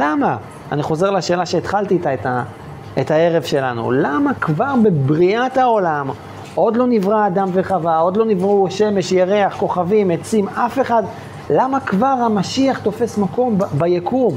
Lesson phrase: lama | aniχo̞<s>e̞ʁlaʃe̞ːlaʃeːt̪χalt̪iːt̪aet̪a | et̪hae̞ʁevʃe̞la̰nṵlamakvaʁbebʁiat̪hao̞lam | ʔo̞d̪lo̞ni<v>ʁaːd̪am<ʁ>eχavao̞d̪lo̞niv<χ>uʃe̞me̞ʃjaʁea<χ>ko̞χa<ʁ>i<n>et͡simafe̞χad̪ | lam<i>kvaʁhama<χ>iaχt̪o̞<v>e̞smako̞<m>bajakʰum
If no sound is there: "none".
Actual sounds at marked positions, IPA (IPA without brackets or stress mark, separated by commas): z, v, v, ʁ, χ, v, m, a, ʃ, f, m